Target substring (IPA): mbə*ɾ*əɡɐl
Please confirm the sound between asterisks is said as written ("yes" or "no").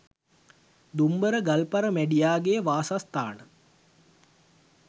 yes